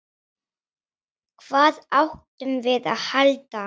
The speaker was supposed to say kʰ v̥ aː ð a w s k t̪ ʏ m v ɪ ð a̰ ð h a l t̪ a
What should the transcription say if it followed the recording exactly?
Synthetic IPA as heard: kʰ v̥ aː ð a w h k t̪ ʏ m v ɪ ð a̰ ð h a l t̪ a